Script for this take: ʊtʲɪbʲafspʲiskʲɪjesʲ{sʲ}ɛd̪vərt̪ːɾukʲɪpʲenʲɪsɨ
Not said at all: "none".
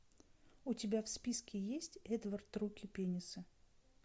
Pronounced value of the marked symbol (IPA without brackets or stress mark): tʲ